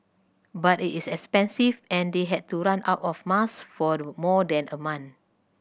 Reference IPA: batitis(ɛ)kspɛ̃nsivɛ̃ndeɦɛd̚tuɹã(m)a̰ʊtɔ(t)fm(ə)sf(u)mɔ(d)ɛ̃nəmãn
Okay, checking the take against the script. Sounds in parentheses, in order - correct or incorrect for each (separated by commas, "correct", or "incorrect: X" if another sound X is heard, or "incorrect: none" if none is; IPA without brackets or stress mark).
correct, incorrect: n, incorrect: none, incorrect: a, incorrect: ɔ, correct